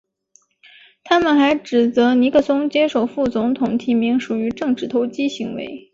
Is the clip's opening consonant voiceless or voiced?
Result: voiceless